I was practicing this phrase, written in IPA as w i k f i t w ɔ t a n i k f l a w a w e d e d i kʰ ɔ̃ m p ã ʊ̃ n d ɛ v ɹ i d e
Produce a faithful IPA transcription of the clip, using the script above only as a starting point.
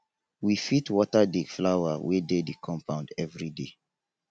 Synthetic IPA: w i f i t w ɔ t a d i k f l a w a w e d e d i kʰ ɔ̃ m p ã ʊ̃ n d ɛ v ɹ i d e